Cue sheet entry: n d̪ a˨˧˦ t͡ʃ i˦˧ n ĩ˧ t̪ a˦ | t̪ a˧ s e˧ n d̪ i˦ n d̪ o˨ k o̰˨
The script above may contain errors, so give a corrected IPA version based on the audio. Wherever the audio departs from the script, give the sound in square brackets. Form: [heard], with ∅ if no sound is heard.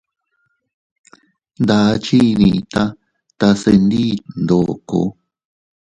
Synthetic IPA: n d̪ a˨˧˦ t͡ʃ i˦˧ n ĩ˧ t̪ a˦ | t̪ a˧ s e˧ n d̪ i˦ n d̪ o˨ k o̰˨